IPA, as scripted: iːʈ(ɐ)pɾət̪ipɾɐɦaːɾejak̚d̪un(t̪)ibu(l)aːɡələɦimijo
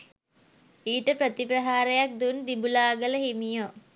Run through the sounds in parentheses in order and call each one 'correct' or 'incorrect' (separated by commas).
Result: incorrect, incorrect, correct